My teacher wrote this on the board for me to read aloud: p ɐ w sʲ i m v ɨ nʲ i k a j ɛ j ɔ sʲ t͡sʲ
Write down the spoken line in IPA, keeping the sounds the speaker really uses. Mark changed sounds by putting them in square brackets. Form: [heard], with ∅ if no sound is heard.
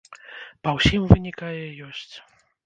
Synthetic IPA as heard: p ɐ w sʲ i m v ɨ nʲ i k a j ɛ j ɔ sʲ t͡sʲ

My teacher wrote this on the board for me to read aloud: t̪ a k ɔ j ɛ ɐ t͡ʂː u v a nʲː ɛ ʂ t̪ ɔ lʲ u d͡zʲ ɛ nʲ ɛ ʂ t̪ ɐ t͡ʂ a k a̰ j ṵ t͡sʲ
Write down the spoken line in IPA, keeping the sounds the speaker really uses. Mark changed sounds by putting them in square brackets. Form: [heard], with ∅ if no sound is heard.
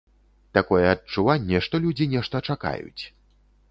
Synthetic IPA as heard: t̪ a k ɔ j ɛ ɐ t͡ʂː u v a nʲː ɛ ʂ t̪ ɔ lʲ u d͡zʲ [i] nʲ ɛ ʂ t̪ ɐ t͡ʂ a k a̰ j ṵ t͡sʲ

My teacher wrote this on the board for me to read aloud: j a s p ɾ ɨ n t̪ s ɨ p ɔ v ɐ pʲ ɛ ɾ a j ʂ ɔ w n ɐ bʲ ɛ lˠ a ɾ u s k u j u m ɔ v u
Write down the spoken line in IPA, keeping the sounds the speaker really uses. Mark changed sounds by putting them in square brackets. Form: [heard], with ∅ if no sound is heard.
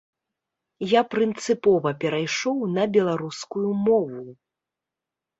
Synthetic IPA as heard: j a [∅] p ɾ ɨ n t̪ s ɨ p ɔ v ɐ pʲ ɛ ɾ a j ʂ ɔ w n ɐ bʲ ɛ lˠ a ɾ u s k u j u m ɔ v u

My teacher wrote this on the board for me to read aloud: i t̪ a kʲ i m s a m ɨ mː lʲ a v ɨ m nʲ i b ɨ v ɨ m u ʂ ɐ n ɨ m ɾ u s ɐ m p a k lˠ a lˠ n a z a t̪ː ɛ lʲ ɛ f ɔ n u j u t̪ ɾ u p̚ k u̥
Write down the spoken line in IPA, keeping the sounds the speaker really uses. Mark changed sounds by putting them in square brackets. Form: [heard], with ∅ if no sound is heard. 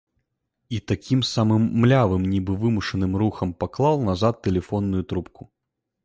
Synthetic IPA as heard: i t̪ a kʲ i m s a m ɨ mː lʲ a v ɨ m nʲ i b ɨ v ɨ m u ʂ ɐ n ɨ m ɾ u [x] ɐ m p a k lˠ a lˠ n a z a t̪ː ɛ lʲ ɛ f ɔ [nː] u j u t̪ ɾ u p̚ k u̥

